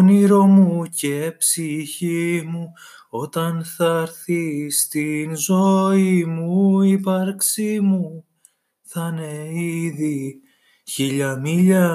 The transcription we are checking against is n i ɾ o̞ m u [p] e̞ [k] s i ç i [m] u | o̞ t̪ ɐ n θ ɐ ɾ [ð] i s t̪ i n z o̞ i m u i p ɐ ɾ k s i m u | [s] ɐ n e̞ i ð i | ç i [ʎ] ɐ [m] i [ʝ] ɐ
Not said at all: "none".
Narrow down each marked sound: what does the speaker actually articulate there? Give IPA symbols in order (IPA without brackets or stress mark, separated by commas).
c, p, m, θ, θ, ʎ, m, ʎ